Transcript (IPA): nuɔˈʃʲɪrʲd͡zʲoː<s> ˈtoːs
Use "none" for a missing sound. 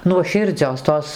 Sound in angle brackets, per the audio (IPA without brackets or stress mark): s